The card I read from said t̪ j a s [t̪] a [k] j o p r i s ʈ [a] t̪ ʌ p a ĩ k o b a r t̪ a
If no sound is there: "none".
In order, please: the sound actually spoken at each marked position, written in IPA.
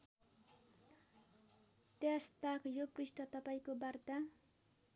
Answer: t̪, k, ʌ

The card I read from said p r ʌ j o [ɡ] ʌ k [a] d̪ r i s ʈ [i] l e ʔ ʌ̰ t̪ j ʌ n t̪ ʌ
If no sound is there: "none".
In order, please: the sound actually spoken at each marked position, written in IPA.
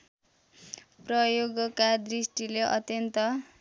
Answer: ɡ, a, i

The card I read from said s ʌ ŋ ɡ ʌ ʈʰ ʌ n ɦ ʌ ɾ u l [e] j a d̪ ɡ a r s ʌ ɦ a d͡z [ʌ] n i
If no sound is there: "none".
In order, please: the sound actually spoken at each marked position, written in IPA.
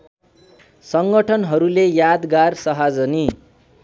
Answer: e, ʌ

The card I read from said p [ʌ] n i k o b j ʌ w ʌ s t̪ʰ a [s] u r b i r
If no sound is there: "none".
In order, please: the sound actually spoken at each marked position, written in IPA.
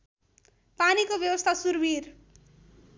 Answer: a, s

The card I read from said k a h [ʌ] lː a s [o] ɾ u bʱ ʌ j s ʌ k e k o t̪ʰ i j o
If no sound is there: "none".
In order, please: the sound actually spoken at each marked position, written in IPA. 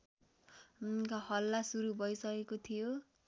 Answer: ʌ, u

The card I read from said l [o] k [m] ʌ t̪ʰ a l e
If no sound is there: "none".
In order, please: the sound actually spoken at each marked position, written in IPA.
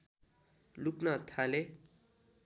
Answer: u, n

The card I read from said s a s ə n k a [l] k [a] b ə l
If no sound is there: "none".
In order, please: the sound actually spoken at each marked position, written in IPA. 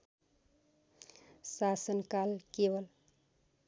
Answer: l, e

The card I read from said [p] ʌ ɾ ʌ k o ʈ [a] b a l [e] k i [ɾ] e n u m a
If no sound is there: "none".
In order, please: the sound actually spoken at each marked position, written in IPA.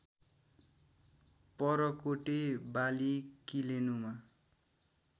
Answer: p, e, i, l

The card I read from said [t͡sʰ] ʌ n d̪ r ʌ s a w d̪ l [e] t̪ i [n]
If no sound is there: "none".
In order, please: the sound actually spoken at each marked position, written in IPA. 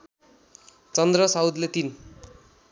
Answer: t͡s, e, n

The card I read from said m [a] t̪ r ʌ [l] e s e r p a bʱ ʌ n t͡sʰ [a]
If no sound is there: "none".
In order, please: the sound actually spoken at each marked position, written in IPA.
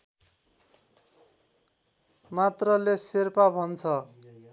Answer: a, l, ʌ

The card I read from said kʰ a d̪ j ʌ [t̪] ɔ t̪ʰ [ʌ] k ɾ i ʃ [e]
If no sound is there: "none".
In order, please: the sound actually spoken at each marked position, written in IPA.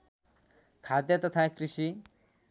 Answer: t̪, a, i

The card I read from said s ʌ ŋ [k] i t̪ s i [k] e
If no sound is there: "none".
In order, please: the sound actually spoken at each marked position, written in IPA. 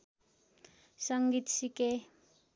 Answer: ɡ, k

